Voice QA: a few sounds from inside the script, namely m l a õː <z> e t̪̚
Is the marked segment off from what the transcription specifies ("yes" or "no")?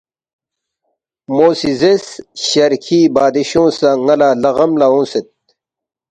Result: yes